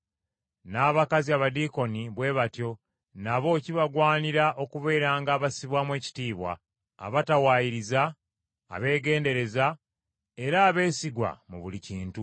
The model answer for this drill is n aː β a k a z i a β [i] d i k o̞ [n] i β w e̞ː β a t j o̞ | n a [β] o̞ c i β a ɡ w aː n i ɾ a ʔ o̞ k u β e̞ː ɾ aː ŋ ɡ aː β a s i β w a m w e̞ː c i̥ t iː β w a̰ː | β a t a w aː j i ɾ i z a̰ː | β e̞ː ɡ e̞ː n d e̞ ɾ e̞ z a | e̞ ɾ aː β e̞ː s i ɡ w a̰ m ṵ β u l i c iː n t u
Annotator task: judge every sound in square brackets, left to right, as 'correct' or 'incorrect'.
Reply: incorrect: a, correct, correct

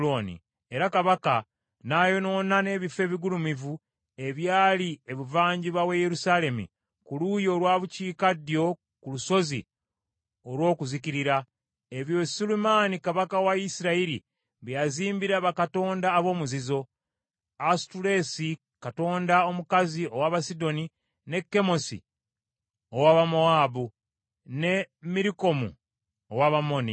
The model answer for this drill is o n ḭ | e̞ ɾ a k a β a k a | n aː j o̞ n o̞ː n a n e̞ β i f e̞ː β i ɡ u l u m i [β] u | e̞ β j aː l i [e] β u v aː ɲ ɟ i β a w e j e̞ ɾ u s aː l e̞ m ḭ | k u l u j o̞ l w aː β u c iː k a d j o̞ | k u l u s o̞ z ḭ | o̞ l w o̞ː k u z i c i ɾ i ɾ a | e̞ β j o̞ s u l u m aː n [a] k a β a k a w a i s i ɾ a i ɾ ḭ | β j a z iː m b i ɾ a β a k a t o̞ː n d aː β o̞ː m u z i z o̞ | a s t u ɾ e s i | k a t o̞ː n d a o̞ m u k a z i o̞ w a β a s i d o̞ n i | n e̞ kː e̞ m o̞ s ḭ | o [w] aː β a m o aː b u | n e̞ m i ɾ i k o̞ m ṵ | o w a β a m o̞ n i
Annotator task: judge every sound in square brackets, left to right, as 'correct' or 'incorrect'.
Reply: incorrect: v, correct, incorrect: i, correct

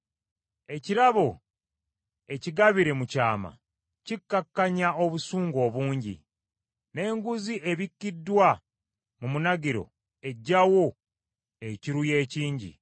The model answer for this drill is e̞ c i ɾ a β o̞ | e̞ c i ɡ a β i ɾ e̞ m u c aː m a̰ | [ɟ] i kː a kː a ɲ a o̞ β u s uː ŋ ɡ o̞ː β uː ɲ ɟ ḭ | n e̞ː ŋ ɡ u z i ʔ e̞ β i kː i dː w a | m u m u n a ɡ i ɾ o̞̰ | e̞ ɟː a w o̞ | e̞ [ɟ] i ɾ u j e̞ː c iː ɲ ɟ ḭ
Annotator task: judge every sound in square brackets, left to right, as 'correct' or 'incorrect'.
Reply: incorrect: c, incorrect: c

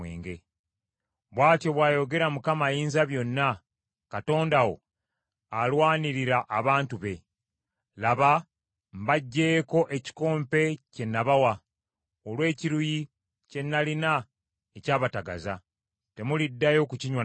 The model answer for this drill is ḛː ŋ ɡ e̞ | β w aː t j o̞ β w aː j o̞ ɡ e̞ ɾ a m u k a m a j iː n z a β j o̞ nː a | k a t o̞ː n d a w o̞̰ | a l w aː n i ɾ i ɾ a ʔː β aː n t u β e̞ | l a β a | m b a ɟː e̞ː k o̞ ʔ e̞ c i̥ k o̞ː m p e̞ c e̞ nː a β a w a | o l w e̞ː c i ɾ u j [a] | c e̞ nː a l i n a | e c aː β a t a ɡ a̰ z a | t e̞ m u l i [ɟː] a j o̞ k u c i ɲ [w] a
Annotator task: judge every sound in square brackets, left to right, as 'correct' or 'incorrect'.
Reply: incorrect: i, incorrect: dː, correct

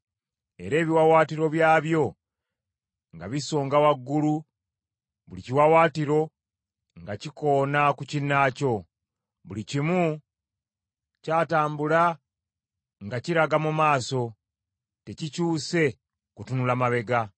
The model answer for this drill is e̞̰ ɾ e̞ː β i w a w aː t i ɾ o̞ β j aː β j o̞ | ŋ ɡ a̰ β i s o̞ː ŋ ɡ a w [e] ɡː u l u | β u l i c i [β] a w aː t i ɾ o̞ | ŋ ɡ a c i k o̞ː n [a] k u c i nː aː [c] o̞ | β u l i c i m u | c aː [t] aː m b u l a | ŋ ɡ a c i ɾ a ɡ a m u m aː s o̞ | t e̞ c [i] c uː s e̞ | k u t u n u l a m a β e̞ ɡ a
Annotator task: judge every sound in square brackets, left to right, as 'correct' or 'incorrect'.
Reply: incorrect: a, incorrect: w, correct, correct, correct, correct

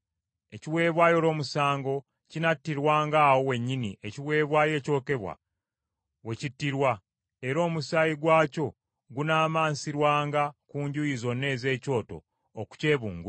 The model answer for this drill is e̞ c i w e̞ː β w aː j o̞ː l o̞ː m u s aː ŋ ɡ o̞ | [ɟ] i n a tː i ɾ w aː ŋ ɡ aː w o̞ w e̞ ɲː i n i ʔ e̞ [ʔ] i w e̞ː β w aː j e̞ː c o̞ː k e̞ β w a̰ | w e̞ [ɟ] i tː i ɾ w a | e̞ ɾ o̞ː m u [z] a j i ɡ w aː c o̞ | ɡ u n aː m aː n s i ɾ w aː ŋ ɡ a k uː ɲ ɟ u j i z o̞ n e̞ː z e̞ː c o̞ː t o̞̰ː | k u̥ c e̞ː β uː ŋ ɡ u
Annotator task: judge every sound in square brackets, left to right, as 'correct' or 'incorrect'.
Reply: incorrect: c, incorrect: c, incorrect: c, incorrect: s

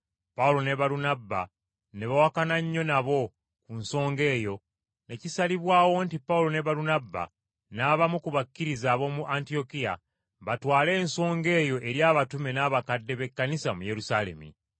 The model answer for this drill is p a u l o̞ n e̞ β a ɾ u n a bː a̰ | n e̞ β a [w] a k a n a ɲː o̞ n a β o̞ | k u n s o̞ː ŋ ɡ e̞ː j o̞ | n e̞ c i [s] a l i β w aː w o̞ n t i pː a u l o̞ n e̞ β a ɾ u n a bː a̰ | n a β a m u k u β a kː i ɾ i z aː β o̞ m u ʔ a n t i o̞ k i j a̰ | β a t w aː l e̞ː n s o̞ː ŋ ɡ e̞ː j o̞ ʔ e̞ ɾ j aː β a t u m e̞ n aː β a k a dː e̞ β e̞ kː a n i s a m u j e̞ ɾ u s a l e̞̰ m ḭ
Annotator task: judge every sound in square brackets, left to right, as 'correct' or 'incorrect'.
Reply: correct, correct

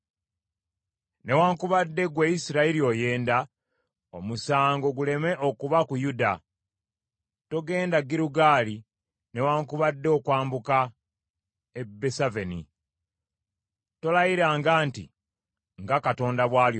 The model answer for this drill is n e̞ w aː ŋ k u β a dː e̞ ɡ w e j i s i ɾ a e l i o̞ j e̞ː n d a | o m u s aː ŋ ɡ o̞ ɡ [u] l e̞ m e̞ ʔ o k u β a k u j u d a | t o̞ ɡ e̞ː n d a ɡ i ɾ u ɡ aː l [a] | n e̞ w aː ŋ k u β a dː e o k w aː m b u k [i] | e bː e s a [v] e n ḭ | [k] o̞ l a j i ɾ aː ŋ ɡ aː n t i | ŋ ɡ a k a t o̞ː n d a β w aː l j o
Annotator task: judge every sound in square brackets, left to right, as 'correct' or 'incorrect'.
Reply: correct, incorrect: i, incorrect: a, correct, incorrect: t

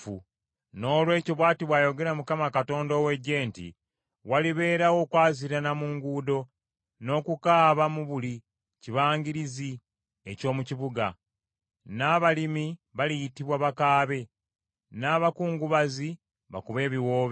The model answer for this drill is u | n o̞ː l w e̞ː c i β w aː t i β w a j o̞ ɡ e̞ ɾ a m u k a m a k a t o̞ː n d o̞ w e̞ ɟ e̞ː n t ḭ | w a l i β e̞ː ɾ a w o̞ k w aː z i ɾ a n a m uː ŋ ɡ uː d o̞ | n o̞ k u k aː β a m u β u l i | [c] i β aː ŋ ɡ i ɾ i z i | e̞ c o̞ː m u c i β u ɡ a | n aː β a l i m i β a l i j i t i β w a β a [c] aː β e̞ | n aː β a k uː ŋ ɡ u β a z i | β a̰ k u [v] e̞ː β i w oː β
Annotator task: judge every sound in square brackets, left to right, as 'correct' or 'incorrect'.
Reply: correct, incorrect: k, incorrect: β

